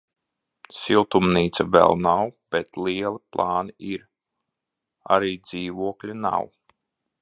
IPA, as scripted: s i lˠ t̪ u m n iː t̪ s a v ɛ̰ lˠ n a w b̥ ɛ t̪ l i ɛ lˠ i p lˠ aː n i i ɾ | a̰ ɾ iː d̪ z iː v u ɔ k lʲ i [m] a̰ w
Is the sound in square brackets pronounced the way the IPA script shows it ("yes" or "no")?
no